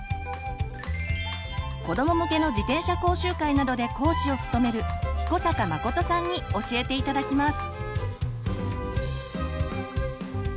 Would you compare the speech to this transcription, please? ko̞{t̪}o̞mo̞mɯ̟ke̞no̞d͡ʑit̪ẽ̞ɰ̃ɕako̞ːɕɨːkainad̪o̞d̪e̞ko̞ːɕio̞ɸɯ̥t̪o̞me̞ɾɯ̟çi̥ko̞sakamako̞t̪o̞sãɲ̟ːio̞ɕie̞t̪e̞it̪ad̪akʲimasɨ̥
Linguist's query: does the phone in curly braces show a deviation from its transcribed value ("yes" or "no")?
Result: yes